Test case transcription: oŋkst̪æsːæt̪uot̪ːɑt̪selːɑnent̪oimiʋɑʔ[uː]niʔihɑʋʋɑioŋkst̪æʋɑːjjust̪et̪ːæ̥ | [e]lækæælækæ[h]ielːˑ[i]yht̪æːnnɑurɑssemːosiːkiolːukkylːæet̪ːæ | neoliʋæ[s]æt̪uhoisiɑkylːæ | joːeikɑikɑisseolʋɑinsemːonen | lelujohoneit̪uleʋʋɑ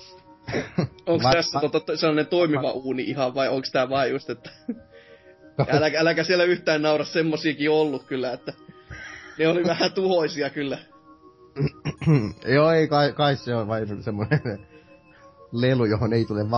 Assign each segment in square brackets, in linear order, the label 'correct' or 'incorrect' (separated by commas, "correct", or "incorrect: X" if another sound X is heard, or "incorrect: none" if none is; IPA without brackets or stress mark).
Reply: correct, incorrect: æ, incorrect: s, incorrect: æ, incorrect: h